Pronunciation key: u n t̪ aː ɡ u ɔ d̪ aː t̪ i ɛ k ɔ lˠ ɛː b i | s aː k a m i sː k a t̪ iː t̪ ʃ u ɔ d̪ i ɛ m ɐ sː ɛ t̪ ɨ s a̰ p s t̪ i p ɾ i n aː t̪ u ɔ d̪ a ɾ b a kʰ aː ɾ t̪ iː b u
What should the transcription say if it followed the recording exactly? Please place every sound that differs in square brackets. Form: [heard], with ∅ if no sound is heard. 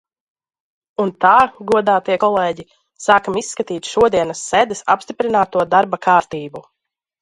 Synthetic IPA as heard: u n t̪ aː ɡ u ɔ d̪ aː t̪ i ɛ k ɔ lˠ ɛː [ɟ] i | s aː k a m i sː k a t̪ iː t̪ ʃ u ɔ d̪ i ɛ [n] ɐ sː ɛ [d̪] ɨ s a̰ p s t̪ i p ɾ i n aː t̪ u ɔ d̪ a ɾ b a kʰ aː ɾ t̪ iː b u